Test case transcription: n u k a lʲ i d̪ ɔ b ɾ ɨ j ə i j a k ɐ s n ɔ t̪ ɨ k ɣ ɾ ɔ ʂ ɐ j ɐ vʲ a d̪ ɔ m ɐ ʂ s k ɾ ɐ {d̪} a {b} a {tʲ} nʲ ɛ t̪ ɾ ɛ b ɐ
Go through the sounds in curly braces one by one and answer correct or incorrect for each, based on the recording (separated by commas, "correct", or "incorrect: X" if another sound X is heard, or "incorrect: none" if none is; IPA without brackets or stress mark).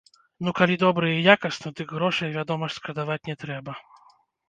correct, incorrect: v, correct